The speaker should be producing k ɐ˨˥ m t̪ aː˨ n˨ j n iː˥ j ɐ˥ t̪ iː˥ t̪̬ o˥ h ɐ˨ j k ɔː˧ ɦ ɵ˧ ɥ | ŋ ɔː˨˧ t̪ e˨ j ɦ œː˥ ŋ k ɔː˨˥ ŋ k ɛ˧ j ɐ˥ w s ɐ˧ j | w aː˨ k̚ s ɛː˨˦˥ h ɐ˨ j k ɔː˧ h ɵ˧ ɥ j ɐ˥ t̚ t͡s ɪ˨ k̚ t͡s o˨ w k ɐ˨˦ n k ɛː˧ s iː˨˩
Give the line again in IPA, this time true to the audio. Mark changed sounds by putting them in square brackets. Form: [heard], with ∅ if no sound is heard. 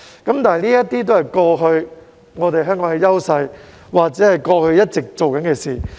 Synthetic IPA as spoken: k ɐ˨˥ m t̪ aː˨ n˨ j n iː˥ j ɐ˥ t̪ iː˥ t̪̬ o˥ h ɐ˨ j k ɔː˧ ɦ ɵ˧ ɥ | ŋ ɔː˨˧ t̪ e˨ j ɦ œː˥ ŋ k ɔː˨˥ ŋ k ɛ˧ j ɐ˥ w s ɐ˧ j | w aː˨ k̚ [t͡s] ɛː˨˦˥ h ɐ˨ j k ɔː˧ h ɵ˧ ɥ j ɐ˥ t̚ t͡s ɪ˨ k̚ t͡s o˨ w k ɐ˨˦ n k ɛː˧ s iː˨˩